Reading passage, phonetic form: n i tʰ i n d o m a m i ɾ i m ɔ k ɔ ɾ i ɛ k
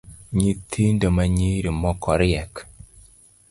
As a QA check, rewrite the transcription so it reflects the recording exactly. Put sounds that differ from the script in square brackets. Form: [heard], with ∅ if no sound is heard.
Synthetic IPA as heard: [ɲ] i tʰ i n d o m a [ɲ] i ɾ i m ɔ k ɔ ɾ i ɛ k